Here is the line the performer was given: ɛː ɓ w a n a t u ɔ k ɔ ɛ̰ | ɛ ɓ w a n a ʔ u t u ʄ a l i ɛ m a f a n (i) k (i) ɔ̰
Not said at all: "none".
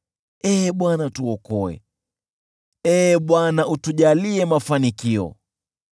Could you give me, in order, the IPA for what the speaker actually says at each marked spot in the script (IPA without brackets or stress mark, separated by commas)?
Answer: i, i